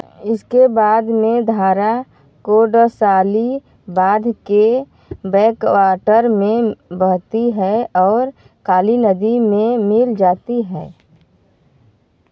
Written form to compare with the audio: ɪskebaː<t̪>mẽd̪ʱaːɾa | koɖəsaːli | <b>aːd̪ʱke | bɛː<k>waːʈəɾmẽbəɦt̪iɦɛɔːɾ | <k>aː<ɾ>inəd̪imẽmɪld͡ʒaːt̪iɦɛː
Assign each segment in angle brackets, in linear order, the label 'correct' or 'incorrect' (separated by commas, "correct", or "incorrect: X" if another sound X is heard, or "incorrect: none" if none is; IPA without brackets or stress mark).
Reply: incorrect: d̪, correct, correct, correct, incorrect: l